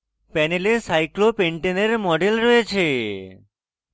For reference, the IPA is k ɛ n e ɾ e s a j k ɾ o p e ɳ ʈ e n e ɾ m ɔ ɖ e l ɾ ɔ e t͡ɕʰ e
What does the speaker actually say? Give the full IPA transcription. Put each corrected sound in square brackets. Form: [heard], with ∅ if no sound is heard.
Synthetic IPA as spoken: [p] ɛ n e [l] e s a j k [l] o p e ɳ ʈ e n e ɾ m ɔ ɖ e l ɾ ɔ e t͡ɕʰ e